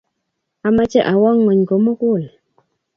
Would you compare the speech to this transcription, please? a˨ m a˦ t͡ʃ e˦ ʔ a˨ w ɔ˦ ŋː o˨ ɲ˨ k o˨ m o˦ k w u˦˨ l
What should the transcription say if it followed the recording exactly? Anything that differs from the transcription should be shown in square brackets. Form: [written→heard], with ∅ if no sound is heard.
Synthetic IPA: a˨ m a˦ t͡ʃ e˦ ʔ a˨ w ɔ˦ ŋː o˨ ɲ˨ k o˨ m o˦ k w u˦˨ l